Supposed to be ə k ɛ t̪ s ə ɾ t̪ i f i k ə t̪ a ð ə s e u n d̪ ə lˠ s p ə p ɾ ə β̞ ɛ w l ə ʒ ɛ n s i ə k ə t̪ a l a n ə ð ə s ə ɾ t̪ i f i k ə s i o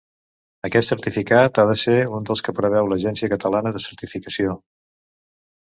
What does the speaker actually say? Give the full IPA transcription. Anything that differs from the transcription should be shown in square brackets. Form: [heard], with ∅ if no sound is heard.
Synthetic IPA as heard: ə k ɛ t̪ s ə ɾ t̪ i f i k [a] t̪ a ð ə s e u n d̪ ə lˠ s [k] ə p ɾ ə β̞ ɛ w l ə ʒ ɛ n s i ə k ə t̪ [ə] l a n ə ð ə s ə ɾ t̪ i f i k ə s i o